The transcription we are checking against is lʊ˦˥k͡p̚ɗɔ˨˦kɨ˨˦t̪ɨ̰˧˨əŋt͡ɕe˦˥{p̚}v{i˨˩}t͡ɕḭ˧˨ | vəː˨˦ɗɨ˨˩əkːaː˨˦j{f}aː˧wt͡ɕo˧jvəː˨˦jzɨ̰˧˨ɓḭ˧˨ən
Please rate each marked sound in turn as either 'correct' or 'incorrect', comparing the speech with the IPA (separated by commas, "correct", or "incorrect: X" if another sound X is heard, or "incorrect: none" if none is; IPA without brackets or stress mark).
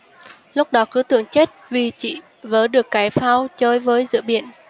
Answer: incorrect: t̚, correct, correct